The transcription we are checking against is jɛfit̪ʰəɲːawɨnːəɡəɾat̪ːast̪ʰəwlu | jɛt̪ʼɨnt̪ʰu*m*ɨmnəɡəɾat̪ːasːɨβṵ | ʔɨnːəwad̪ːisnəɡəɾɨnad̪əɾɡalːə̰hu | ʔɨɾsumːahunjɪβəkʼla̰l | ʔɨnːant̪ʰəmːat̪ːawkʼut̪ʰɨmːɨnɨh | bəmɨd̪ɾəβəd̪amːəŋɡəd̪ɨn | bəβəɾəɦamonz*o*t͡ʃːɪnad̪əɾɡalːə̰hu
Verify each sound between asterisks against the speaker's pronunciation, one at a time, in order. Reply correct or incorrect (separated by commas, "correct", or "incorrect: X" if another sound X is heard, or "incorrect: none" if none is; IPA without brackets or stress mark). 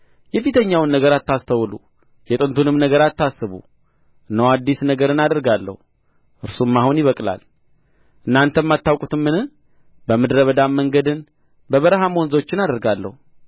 incorrect: n, correct